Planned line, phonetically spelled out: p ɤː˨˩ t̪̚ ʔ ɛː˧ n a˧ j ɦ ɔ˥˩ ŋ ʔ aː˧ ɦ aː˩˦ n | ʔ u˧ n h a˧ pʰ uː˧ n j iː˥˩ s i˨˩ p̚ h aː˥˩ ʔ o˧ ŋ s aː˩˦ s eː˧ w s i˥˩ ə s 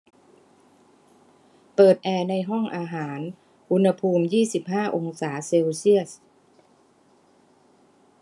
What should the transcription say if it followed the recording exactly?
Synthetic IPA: p ɤː˨˩ t̪̚ ʔ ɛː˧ n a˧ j ɦ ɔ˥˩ ŋ ʔ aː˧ ɦ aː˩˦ n | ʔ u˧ n h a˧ pʰ uː˧ m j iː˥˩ s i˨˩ p̚ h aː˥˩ ʔ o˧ ŋ s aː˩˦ s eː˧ w s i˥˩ ə s